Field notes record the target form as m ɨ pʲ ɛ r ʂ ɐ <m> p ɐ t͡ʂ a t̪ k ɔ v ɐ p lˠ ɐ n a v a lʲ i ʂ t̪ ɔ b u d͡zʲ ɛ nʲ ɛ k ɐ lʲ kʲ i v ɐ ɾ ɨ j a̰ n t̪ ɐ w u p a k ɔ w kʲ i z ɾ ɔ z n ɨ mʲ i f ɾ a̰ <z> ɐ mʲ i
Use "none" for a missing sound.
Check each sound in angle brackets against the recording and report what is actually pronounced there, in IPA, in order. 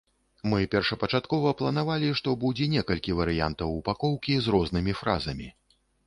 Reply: none, z

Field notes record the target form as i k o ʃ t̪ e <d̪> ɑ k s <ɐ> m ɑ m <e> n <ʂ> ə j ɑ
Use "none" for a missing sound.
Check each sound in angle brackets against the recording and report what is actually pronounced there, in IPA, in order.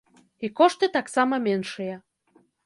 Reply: t̪, ɑ, e, ʃ

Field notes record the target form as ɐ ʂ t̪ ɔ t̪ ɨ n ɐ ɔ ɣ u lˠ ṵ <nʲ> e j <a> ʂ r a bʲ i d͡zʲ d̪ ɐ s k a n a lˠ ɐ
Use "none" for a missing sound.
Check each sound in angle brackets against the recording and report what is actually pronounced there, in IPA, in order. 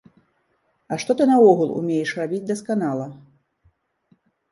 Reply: mʲ, ɛ

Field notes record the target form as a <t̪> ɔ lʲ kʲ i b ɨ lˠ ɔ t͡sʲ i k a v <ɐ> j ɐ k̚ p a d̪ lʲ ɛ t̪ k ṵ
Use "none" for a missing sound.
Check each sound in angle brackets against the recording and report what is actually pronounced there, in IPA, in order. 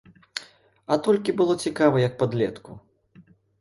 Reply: t̪, ɐ

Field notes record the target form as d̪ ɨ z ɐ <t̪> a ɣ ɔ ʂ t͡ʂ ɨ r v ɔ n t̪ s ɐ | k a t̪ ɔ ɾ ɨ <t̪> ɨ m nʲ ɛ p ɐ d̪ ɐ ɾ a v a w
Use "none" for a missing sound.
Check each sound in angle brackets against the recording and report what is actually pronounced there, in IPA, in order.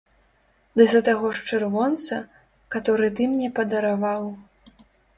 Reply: t̪, t̪

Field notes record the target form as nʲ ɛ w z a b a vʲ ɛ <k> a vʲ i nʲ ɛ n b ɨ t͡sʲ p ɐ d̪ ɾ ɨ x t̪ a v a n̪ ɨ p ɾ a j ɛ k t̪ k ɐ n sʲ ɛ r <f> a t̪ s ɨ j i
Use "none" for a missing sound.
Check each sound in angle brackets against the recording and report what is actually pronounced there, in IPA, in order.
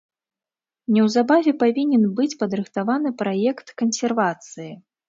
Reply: p, v

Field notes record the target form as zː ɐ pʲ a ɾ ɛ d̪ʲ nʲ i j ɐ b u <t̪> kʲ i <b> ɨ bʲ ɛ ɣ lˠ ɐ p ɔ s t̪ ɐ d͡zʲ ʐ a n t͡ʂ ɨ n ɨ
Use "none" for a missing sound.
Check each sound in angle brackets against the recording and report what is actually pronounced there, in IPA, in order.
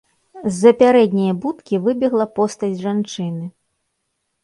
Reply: t̪, v

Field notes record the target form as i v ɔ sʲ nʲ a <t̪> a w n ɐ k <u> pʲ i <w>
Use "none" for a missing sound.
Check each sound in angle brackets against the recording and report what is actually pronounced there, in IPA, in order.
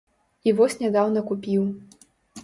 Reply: d̪, u, w

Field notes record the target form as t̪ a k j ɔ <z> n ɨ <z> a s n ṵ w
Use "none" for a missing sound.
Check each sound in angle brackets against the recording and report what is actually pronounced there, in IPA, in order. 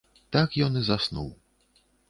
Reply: none, z

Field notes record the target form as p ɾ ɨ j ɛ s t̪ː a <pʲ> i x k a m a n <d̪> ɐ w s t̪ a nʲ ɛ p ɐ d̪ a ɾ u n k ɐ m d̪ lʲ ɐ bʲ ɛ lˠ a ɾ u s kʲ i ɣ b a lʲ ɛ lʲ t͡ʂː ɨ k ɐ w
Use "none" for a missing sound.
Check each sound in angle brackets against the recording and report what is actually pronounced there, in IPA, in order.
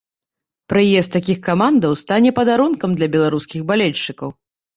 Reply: kʲ, d̪

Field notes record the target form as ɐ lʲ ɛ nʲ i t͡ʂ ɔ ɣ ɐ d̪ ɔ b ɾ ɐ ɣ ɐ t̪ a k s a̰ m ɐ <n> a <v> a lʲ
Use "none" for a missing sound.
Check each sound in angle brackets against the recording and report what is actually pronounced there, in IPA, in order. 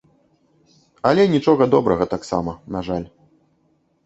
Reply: n, ʐ

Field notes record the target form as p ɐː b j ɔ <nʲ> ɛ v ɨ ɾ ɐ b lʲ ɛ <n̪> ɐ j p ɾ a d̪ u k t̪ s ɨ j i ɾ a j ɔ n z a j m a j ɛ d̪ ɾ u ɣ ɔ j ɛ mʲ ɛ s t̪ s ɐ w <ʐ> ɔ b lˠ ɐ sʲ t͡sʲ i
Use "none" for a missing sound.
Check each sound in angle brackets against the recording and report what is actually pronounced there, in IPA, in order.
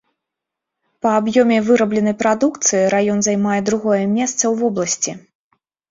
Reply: mʲ, n̪, v

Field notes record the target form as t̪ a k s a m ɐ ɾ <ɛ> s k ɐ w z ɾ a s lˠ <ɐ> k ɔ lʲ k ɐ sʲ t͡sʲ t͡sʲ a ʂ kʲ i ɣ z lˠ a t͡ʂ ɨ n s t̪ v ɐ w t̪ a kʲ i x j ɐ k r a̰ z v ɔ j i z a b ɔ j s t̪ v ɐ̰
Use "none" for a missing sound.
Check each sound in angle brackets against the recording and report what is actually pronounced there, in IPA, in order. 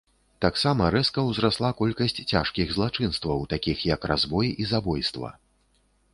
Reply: ɛ, a

